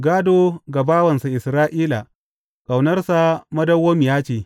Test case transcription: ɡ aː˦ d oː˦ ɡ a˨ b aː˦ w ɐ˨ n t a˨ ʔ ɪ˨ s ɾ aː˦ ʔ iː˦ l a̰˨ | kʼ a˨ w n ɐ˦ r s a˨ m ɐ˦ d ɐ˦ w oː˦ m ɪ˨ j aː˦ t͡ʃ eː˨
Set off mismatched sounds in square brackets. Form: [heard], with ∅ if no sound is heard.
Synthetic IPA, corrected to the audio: ɡ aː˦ d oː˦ ɡ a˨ b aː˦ w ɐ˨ n [s] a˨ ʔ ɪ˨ s ɾ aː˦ ʔ iː˦ l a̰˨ | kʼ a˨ w n ɐ˦ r s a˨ m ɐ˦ d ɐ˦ w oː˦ m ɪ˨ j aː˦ t͡ʃ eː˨